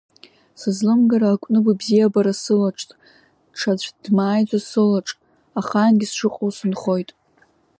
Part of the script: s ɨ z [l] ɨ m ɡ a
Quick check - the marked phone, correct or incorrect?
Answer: correct